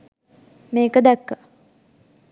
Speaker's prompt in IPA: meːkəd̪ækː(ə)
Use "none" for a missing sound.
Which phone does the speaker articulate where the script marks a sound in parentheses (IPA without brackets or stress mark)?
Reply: ə